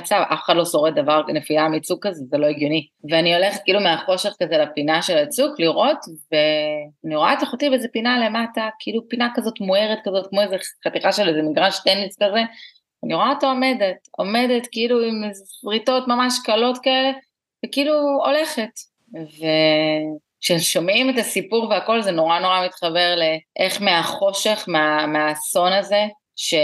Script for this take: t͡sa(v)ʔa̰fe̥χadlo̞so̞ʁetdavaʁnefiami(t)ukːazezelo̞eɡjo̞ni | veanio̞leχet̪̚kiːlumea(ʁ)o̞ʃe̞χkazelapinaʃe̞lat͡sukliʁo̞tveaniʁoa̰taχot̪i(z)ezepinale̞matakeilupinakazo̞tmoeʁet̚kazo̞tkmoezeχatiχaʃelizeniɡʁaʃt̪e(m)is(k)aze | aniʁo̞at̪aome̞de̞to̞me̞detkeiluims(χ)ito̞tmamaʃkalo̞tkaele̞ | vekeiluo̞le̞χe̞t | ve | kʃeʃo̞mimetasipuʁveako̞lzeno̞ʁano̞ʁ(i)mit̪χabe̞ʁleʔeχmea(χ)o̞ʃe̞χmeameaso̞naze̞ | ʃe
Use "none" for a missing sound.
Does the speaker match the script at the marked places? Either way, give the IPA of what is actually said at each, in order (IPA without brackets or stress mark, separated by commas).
v, t͡s, χ, v, n, k, ʁ, a, χ